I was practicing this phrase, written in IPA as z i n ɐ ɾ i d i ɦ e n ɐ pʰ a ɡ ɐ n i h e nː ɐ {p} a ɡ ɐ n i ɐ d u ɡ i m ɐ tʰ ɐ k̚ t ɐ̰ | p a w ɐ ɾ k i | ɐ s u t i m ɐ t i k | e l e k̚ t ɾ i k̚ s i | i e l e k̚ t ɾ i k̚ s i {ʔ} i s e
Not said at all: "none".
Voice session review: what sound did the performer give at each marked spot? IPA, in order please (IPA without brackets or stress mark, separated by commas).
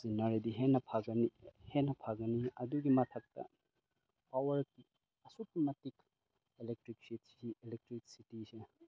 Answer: pʰ, t